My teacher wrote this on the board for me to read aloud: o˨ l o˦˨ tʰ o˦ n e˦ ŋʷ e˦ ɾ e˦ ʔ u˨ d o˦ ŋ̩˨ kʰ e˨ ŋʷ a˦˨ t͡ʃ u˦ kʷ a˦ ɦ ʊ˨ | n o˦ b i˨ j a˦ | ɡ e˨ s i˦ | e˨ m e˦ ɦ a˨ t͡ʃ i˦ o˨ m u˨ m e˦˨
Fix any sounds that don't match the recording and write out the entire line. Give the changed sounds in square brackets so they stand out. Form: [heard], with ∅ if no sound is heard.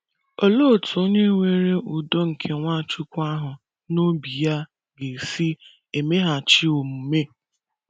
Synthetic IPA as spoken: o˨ l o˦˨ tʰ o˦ [ɲ] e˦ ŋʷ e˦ ɾ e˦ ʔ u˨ d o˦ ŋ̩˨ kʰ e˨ ŋʷ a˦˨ t͡ʃ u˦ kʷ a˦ ɦ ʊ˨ | n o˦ b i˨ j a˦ | ɡ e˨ s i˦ | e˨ m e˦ ɦ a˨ t͡ʃ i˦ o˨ m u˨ m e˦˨